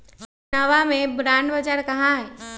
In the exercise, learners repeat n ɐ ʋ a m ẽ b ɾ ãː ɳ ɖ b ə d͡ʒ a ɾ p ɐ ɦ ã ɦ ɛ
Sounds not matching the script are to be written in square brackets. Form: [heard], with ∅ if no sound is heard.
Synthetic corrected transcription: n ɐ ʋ a m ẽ b ɾ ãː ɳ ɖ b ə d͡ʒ a ɾ [k] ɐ ɦ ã ɦ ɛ